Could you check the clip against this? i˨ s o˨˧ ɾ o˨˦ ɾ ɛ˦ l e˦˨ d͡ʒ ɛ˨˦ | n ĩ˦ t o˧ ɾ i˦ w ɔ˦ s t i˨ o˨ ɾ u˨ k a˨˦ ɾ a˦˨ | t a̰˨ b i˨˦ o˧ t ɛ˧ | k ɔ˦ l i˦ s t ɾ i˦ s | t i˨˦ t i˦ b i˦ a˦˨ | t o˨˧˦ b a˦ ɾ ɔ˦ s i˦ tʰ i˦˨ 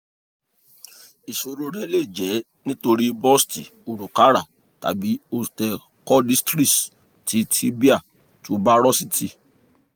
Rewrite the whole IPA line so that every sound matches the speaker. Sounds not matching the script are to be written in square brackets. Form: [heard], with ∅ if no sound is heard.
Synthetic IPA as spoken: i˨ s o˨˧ ɾ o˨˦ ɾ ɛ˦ l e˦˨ d͡ʒ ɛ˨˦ | n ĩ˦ t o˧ ɾ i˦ [b] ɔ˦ s t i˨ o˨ ɾ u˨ k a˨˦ ɾ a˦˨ | t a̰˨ b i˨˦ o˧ t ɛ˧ | k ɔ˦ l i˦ s t ɾ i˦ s | t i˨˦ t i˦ b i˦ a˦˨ | t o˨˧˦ b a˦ ɾ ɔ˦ s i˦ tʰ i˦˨